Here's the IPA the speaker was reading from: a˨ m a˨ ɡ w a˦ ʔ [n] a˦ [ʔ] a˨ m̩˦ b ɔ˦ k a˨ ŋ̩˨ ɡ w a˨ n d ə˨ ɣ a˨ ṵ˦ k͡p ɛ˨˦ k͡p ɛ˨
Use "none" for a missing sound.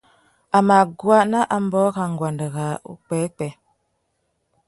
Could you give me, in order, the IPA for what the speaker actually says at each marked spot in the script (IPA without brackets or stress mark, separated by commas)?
n, ʔ